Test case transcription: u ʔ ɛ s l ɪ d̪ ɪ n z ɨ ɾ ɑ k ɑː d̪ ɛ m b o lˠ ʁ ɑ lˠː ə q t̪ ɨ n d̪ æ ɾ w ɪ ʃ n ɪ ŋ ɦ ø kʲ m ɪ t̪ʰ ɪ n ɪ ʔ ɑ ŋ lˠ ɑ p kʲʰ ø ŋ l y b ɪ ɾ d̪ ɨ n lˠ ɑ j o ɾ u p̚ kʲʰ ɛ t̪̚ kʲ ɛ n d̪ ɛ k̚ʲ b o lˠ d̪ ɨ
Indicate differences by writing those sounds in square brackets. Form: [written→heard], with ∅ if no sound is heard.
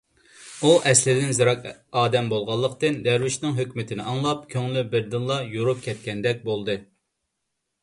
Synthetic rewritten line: u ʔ ɛ s l ɪ d̪ ɪ n z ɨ ɾ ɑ k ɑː d̪ ɛ m b o lˠ ʁ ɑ lˠː ə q t̪ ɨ n d̪ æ ɾ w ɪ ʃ n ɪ ŋ ɦ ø kʲ m ɪ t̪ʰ ɪ n ɪ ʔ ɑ ŋ lˠ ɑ p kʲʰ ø ŋ l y b ɪ ɾ d̪ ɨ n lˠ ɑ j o ɾ u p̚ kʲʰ ɛ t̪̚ kʲ ɛ n d̪ ɛ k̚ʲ b o lˠ d̪ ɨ